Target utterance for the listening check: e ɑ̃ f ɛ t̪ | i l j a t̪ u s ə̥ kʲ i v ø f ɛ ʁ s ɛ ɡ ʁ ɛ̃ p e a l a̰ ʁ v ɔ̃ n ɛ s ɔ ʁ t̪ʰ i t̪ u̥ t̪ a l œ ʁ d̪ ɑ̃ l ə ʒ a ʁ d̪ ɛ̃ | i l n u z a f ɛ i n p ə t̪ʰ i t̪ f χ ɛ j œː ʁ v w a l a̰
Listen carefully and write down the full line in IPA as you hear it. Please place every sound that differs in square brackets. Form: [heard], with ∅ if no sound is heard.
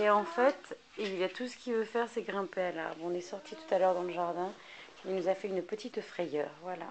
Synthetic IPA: e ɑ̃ f ɛ t̪ | i l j a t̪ u s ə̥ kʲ i v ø f ɛ ʁ s ɛ ɡ ʁ ɛ̃ p e a l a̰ ʁ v ɔ̃ n ɛ s ɔ ʁ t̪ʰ i t̪ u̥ t̪ a l œ ʁ d̪ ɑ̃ l ə ʒ a ʁ d̪ ɛ̃ | i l n u z a f ɛ [y] n p ə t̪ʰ i t̪ f χ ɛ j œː ʁ v w a l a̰